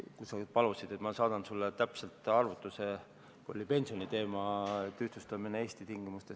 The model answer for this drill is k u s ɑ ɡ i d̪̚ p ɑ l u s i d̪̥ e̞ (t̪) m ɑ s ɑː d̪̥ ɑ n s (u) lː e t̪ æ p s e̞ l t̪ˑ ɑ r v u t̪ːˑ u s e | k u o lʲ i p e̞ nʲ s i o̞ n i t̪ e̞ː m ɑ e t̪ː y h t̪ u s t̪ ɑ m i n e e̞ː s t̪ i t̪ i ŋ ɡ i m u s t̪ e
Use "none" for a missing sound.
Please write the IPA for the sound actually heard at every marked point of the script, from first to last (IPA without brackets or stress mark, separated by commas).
t̪, u